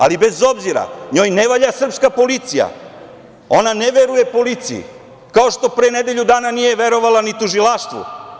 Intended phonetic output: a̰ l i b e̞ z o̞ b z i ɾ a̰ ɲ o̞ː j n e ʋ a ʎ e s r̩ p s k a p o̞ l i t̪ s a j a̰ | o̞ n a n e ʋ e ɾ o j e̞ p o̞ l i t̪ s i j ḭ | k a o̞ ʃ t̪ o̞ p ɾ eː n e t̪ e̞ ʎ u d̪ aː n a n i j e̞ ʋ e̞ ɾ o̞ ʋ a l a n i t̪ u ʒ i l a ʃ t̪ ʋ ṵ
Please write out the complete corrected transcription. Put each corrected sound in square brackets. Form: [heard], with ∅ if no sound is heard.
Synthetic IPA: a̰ l i b e̞ z o̞ b z i ɾ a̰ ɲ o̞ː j n e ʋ a ʎ [a] s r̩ p s k a p o̞ l i t̪ s [i] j a̰ | o̞ n a n e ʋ e ɾ [u] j e̞ p o̞ l i t̪ s i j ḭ | k a o̞ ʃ t̪ o̞ p ɾ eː n e [d̪] e̞ ʎ u d̪ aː n a n i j e̞ ʋ e̞ ɾ o̞ ʋ a l a n i t̪ u ʒ i l a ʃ t̪ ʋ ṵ